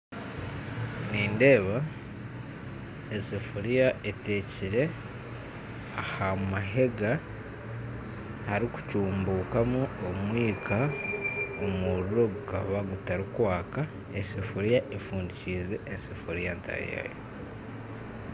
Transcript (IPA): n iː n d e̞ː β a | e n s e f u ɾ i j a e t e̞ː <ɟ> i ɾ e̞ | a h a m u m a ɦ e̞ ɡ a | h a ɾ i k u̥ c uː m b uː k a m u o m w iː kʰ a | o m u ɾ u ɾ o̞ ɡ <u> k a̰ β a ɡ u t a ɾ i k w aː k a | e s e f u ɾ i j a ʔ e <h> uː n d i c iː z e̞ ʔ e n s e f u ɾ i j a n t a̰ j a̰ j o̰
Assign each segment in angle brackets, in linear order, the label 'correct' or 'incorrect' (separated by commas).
incorrect, correct, incorrect